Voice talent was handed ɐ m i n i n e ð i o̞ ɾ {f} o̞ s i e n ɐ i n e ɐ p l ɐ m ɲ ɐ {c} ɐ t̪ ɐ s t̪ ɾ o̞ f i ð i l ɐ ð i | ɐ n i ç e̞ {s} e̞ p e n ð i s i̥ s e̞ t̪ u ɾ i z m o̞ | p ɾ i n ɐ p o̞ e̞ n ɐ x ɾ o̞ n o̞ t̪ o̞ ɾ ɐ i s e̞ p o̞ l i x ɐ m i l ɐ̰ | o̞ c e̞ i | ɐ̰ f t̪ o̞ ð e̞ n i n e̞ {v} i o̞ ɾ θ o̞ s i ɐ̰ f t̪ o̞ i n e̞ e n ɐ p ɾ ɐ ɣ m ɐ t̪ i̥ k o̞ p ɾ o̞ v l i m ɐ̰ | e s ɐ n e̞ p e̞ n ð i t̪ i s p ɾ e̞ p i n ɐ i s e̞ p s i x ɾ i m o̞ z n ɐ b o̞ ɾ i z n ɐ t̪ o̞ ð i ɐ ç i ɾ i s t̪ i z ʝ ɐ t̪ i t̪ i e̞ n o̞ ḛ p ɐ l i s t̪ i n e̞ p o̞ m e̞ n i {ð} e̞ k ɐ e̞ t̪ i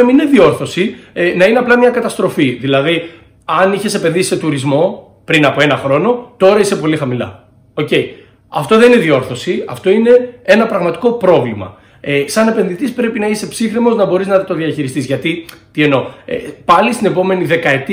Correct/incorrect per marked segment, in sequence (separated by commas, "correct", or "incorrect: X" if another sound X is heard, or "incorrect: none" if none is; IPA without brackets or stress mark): incorrect: θ, incorrect: k, correct, incorrect: ð, correct